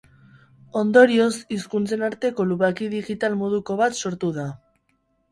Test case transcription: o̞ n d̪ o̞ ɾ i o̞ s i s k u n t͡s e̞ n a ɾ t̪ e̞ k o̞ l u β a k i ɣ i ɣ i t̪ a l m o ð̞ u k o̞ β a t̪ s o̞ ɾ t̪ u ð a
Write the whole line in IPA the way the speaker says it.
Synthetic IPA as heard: o̞ n d̪ o̞ ɾ i o̞ s i s k u n t͡s e̞ n a ɾ t̪ e̞ k o̞ l u β a k i ð i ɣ i t̪ a l m o ð̞ u k o̞ β a t̪ s o̞ ɾ t̪ u ð a